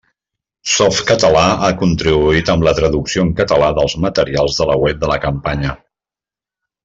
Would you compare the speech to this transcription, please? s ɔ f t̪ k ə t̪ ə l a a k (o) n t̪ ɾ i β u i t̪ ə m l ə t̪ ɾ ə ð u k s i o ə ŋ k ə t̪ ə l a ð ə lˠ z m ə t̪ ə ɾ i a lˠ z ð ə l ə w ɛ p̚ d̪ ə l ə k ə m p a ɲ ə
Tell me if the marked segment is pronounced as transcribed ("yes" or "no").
no